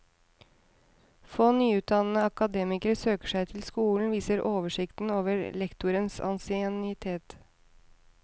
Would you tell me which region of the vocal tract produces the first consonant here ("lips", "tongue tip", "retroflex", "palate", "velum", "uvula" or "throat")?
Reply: lips